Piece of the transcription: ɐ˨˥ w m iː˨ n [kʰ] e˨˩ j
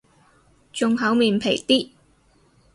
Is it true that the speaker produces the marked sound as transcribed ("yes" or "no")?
no